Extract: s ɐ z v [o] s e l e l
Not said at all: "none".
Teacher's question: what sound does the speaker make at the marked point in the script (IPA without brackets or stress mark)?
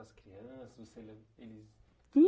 o